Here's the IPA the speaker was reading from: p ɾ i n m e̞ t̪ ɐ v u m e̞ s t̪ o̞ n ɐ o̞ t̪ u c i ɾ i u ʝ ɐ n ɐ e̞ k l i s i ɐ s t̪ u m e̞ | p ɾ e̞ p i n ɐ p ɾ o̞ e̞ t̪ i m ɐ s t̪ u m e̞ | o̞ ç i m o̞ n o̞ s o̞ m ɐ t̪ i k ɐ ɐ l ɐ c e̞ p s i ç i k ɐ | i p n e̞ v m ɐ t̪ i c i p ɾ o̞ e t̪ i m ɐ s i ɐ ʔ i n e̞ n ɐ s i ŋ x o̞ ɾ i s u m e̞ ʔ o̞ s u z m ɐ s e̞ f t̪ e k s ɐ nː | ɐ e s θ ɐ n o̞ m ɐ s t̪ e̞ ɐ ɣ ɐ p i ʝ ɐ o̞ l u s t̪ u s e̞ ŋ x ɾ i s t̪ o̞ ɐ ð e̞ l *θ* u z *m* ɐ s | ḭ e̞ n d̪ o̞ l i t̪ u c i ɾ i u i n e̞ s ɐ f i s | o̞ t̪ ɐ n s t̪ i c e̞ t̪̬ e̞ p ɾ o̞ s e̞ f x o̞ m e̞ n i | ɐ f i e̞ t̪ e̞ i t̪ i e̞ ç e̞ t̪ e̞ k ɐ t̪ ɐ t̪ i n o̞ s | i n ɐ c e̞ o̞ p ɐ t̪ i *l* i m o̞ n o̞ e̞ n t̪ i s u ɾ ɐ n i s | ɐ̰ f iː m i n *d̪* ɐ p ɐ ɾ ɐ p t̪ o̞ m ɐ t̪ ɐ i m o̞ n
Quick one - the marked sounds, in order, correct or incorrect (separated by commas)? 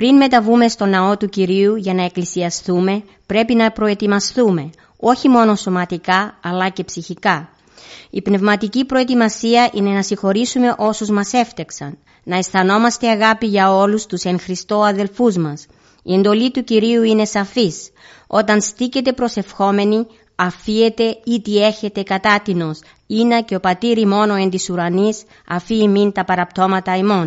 incorrect, correct, incorrect, incorrect